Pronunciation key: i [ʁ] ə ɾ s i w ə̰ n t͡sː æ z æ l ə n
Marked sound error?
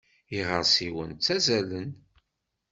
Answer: no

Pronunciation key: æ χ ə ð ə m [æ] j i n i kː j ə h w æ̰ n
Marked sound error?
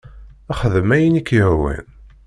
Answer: no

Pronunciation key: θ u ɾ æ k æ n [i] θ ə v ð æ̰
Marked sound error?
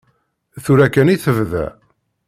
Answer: no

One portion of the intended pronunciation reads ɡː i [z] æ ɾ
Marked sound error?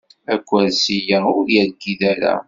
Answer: yes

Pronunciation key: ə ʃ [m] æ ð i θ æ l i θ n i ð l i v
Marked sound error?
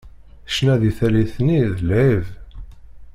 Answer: yes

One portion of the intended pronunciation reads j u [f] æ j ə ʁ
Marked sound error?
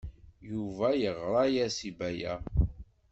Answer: yes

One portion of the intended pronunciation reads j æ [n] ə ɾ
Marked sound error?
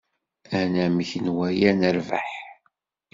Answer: no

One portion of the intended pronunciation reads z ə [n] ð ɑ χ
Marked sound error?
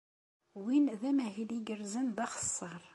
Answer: no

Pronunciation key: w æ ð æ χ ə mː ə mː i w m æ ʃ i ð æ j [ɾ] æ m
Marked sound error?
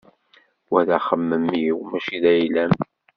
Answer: yes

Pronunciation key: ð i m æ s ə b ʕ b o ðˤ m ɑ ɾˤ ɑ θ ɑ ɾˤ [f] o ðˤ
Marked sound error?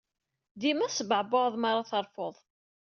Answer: no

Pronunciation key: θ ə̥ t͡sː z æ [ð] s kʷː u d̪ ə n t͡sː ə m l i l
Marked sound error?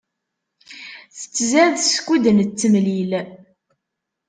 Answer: no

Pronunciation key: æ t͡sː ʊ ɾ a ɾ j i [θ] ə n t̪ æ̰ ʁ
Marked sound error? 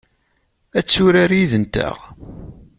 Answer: yes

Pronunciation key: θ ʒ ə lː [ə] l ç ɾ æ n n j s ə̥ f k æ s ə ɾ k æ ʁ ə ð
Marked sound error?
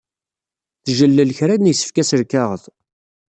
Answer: no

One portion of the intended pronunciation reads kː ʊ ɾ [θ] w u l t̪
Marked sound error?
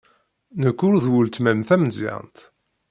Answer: yes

